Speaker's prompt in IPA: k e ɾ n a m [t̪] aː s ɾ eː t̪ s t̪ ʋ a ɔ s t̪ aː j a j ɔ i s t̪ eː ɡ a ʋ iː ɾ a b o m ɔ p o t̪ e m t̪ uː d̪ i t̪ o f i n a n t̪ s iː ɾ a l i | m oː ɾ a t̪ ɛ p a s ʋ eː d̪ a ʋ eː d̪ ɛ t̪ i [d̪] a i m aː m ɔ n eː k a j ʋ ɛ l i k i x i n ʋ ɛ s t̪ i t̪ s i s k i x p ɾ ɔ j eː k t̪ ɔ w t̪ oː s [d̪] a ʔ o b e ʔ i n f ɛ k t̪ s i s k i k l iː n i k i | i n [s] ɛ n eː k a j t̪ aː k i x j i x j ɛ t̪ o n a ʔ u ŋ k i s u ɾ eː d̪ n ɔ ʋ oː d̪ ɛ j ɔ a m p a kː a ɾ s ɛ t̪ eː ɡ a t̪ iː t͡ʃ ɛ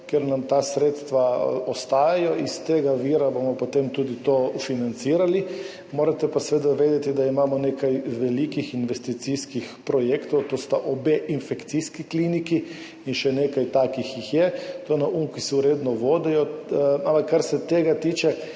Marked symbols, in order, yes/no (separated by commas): yes, yes, no, no